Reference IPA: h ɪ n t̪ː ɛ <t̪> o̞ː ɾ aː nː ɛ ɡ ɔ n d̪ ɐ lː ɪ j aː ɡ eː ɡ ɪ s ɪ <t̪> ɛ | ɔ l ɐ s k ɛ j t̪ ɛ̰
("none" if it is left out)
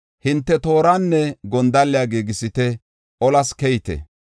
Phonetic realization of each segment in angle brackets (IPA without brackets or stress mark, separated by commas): t̪, t̪